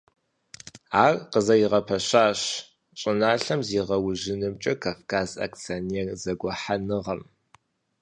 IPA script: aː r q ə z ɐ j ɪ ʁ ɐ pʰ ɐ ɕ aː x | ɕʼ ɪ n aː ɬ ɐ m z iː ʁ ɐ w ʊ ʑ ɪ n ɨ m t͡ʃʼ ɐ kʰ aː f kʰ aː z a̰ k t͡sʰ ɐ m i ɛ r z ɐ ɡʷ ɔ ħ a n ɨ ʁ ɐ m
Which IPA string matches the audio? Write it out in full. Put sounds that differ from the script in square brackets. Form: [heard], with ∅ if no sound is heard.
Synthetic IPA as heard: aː r q ə z ɐ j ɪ ʁ ɐ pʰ ɐ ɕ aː [ɕ] | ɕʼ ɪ n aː ɬ ɐ m z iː ʁ ɐ w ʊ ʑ ɪ n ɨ m t͡ʃʼ ɐ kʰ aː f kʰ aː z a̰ k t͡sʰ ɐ [n] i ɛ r z ɐ ɡʷ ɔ ħ a n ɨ ʁ ɐ m